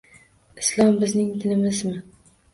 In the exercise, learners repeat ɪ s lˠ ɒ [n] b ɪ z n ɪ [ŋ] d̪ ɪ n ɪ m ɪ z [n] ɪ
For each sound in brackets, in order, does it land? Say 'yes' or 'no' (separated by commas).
no, yes, no